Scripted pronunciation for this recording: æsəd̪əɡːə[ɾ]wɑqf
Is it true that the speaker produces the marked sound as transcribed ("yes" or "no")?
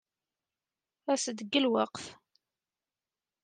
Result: no